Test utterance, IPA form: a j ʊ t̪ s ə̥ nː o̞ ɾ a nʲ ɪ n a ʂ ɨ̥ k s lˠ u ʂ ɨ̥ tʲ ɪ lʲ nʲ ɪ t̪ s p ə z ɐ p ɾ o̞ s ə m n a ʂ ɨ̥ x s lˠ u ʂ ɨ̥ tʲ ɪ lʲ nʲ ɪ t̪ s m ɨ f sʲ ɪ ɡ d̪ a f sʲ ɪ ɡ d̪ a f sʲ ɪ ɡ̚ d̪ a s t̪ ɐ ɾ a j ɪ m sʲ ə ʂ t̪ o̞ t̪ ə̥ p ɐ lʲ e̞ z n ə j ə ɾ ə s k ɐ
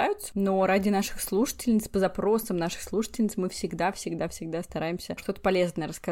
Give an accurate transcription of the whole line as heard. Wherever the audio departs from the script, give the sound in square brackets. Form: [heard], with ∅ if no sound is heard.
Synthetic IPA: a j ʊ t̪ s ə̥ [n] o̞ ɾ a [dʲ] ɪ n a ʂ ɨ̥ [x] s lˠ u ʂ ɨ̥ tʲ ɪ lʲ nʲ ɪ t̪ s p ə z ɐ p ɾ o̞ s ə m n a ʂ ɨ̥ x s lˠ u ʂ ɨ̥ tʲ ɪ lʲ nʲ ɪ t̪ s m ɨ f sʲ ɪ ɡ d̪ a f sʲ ɪ ɡ d̪ a f sʲ ɪ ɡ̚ d̪ a s t̪ ɐ ɾ a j ɪ m sʲ ə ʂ t̪ o̞ t̪ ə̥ p ɐ lʲ e̞ z n ə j ə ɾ ə s k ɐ